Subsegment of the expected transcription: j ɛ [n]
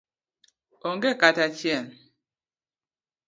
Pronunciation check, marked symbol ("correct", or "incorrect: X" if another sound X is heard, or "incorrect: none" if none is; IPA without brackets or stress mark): correct